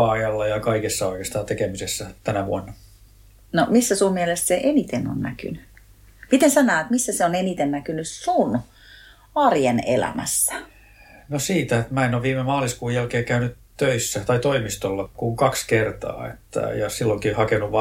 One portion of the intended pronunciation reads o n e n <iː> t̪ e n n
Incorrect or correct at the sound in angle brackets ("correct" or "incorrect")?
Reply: incorrect